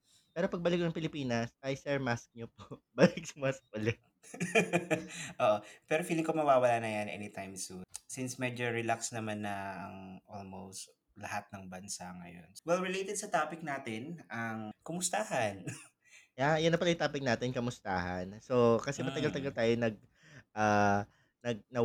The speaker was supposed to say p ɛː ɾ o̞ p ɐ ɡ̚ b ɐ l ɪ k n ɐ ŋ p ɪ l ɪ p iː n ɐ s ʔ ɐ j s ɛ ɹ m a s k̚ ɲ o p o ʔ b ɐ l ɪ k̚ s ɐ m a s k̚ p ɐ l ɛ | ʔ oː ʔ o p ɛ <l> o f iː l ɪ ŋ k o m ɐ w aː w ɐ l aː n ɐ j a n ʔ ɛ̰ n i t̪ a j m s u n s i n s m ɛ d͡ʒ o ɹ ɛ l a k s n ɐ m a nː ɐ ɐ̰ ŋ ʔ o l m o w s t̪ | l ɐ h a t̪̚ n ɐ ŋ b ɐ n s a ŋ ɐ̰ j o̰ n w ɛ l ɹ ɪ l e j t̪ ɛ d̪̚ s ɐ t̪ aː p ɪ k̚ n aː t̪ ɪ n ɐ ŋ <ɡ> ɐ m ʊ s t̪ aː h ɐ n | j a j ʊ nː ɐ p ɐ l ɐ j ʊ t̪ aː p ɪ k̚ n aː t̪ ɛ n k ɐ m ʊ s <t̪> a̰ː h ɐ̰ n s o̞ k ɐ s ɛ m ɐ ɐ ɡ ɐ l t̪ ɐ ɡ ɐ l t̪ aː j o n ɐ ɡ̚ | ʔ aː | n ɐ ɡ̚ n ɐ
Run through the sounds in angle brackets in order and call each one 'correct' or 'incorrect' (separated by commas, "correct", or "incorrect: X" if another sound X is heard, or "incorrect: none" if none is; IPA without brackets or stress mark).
incorrect: ɾ, incorrect: k, correct